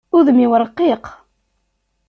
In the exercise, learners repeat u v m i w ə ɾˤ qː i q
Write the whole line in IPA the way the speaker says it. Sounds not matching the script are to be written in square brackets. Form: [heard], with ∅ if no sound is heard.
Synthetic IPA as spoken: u [ð] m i w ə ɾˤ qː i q